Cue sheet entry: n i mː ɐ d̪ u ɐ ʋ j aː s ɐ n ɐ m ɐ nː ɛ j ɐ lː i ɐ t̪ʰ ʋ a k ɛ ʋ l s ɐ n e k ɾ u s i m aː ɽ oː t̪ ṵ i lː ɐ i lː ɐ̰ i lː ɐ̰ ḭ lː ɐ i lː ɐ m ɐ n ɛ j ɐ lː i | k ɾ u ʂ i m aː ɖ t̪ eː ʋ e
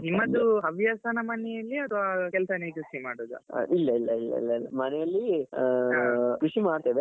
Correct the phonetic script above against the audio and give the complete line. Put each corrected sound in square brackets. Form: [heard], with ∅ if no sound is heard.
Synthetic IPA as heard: n i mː ɐ d̪ u ɐ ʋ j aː s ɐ n ɐ m ɐ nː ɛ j ɐ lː i ɐ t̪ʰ ʋ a k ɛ [∅] l s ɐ n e k ɾ u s i m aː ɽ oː [d̪] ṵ i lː ɐ i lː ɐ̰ i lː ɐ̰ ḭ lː ɐ i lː ɐ m ɐ n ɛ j ɐ lː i | k ɾ u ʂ i m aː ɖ t̪ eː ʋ e

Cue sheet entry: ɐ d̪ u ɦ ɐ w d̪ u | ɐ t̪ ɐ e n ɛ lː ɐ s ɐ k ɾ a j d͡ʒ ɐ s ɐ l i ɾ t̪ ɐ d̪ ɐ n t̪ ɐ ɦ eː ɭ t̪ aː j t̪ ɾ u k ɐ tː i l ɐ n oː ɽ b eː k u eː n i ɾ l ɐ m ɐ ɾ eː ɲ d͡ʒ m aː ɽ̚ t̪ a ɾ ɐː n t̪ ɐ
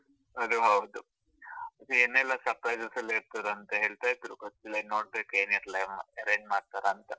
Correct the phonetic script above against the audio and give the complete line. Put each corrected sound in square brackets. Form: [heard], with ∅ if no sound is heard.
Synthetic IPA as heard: ɐ d̪ u ɦ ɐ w d̪ u | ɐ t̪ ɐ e n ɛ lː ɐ s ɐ [p] ɾ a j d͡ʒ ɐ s ɐ l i ɾ t̪ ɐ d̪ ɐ n t̪ ɐ ɦ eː ɭ t̪ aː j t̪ ɾ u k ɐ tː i l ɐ n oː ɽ b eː k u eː n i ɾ l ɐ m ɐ ɾ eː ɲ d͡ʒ m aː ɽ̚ t̪ a ɾ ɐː n t̪ ɐ

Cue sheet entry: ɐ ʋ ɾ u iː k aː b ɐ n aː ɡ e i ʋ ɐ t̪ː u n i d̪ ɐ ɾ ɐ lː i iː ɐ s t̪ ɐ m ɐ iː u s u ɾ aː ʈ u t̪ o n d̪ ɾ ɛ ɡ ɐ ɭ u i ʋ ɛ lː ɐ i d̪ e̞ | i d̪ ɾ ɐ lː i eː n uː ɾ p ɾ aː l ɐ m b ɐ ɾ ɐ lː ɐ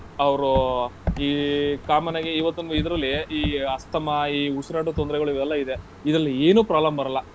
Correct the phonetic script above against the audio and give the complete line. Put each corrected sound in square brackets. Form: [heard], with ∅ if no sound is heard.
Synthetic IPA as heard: ɐ ʋ ɾ u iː k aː [m] ɐ n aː ɡ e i ʋ ɐ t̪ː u n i d̪ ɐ ɾ ɐ lː i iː ɐ s t̪ ɐ m ɐ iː u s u ɾ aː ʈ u t̪ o n d̪ ɾ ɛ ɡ ɐ ɭ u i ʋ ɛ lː ɐ i d̪ e̞ | i d̪ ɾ ɐ lː i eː n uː [∅] p ɾ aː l ɐ m b ɐ ɾ ɐ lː ɐ

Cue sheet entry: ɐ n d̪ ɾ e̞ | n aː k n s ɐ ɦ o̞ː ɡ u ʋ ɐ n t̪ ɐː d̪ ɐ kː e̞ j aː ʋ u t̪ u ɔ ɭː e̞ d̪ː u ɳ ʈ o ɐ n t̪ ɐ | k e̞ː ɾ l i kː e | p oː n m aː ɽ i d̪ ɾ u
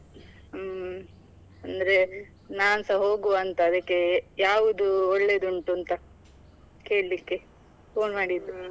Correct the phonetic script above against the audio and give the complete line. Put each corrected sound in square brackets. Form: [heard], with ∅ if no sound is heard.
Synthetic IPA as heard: ɐ n d̪ ɾ e̞ | n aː [∅] n s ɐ ɦ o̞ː ɡ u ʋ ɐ n t̪ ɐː d̪ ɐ kː e̞ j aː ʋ u [d̪] u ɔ ɭː e̞ [d̪] u ɳ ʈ [u] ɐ n t̪ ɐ | k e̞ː [ɭ] l i kː e | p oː n m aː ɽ i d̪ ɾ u

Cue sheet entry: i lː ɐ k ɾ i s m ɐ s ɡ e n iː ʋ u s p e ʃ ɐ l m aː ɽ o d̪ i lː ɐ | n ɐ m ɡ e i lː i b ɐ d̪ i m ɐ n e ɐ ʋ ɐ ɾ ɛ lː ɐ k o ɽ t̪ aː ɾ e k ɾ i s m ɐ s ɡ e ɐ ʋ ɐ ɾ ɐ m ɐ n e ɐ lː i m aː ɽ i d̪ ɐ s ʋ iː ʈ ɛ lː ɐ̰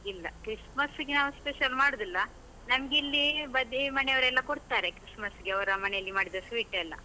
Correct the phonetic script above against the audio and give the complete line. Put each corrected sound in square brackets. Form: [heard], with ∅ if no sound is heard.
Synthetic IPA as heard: i lː ɐ k ɾ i s m ɐ s ɡ e n [aː] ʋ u s p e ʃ ɐ l m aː ɽ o d̪ i lː ɐ | n ɐ m ɡ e i lː i b ɐ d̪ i m ɐ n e ɐ ʋ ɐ ɾ ɛ lː ɐ k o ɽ t̪ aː ɾ e k ɾ i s m ɐ s ɡ e ɐ ʋ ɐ ɾ ɐ m ɐ n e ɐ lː i m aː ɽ i d̪ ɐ s ʋ iː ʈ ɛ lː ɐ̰

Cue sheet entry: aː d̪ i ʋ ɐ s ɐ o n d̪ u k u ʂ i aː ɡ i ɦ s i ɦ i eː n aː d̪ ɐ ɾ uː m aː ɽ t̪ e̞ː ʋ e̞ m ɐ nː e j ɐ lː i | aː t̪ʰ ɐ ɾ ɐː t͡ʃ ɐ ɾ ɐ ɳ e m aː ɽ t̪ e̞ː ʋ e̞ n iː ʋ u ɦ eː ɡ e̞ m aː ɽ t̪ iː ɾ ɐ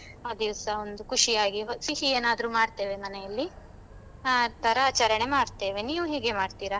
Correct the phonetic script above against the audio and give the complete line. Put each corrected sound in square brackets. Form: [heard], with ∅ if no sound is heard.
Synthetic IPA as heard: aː d̪ i ʋ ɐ s ɐ o n d̪ u k u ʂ i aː ɡ i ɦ s i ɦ i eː n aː d̪ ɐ ɾ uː m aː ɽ t̪ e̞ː ʋ e̞ m ɐ [n] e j ɐ lː i | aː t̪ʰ ɐ ɾ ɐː t͡ʃ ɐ ɾ ɐ ɳ e m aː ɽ t̪ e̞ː ʋ e̞ n iː ʋ u ɦ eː ɡ e̞ m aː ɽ t̪ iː ɾ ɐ

